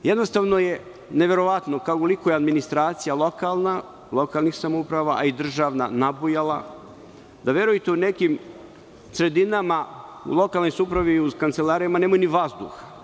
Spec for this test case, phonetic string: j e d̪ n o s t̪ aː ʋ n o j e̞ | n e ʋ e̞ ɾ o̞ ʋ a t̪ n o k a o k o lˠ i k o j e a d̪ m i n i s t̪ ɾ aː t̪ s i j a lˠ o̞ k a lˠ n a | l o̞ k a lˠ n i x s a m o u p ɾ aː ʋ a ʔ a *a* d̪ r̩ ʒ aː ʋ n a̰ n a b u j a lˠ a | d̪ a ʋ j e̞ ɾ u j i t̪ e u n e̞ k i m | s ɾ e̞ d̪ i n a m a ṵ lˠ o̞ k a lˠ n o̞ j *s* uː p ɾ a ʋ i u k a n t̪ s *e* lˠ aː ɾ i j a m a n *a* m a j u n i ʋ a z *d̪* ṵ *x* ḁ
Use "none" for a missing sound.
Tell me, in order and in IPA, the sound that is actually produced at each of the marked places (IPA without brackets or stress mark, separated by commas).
i, s, e, e, d̪, x